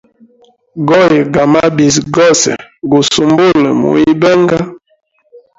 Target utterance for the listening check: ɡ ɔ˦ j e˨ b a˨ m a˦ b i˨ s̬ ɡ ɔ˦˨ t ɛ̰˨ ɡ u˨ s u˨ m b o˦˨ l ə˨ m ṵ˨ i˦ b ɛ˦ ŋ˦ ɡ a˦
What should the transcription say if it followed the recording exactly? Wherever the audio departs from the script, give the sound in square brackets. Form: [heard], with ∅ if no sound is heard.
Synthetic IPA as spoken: ɡ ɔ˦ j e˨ [ɡ] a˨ m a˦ b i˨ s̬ ɡ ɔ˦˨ [s] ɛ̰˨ ɡ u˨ s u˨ m b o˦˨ l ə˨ m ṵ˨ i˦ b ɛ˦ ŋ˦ ɡ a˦